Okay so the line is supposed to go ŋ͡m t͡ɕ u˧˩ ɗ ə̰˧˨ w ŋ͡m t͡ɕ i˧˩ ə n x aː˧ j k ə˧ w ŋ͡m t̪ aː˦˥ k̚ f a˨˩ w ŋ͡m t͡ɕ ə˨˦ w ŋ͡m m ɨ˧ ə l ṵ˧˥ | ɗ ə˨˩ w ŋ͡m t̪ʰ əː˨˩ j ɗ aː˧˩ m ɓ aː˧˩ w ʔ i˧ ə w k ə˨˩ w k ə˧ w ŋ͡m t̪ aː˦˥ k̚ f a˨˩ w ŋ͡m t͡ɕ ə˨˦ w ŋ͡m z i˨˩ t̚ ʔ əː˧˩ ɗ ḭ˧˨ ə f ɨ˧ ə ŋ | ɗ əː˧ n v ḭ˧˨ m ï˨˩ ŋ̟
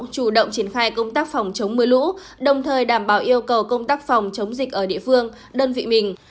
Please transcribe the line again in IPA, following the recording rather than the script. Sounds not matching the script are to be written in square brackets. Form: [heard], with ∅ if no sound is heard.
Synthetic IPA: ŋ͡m t͡ɕ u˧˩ ɗ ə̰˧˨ w ŋ͡m t͡ɕ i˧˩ ə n x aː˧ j k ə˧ w ŋ͡m t̪ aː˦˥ k̚ f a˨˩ w ŋ͡m t͡ɕ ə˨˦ w ŋ͡m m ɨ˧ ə l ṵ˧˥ | ɗ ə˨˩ w ŋ͡m t̪ʰ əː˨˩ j ɗ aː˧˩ m ɓ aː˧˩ w ʔ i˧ ə w k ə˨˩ w k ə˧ w ŋ͡m t̪ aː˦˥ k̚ f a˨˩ w ŋ͡m t͡ɕ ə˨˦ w ŋ͡m z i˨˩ [k̚] ʔ əː˧˩ ɗ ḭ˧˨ ə f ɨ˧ ə ŋ | ɗ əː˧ n v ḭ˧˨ m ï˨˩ ŋ̟